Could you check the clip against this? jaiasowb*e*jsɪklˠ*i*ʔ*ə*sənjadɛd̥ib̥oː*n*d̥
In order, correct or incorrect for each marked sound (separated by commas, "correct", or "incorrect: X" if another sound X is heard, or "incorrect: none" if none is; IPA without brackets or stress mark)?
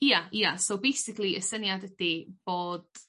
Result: correct, correct, correct, incorrect: none